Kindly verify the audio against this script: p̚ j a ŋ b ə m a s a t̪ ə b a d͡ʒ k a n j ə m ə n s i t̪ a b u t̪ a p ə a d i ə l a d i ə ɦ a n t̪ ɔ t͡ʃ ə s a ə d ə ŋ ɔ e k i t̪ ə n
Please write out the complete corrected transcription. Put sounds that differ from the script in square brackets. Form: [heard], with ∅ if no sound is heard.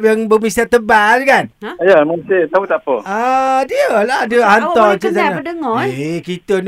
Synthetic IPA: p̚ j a ŋ b ə m [i] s a t̪ ə b a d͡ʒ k a n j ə m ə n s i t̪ a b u t̪ a p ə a d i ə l a d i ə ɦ a n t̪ ɔ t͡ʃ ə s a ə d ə ŋ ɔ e k i t̪ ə n